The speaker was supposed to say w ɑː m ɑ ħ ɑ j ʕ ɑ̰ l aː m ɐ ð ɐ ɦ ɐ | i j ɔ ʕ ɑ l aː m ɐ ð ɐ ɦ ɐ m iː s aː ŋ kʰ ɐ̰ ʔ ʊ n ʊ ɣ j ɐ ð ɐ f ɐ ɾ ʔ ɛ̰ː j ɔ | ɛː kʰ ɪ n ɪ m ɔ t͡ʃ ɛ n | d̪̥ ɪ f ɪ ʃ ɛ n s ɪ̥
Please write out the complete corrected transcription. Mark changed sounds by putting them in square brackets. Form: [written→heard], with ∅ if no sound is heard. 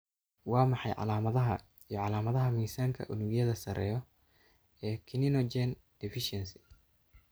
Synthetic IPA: w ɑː m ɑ ħ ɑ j ʕ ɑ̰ l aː m ɐ ð ɐ ɦ ɐ | i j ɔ ʕ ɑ l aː m ɐ ð ɐ ɦ ɐ m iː s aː ŋ kʰ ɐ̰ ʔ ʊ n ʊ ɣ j ɐ ð ɐ [f→s] ɐ ɾ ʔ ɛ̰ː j ɔ | ɛː kʰ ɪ n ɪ [m→n] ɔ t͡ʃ ɛ n | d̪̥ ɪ f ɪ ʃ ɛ n s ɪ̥